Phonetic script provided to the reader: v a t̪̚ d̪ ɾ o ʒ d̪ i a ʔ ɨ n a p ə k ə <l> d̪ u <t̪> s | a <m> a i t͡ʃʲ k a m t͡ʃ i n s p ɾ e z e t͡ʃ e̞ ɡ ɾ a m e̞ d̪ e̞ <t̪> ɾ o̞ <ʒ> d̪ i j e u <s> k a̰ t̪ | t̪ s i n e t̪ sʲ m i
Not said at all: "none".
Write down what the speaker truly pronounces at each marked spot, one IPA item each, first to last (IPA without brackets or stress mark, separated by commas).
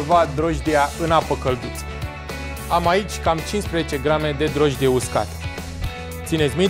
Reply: l, t̪, m, d̪, ʒ, s